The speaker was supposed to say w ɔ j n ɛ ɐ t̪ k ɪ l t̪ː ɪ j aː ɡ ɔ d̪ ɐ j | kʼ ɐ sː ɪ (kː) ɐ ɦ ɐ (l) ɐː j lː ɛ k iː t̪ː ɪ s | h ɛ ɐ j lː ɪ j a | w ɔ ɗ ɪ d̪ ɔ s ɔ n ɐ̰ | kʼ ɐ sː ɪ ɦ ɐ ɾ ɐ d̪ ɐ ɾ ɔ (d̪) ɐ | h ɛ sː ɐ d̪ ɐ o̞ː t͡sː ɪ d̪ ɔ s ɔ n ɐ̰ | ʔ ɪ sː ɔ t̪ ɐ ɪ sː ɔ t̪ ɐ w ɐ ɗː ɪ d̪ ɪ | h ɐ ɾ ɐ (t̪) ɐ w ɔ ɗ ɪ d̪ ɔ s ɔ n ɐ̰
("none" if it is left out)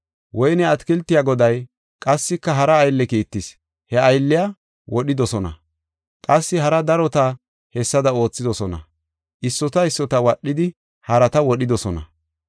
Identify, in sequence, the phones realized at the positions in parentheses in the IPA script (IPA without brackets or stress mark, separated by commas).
kː, ɾ, t̪, t̪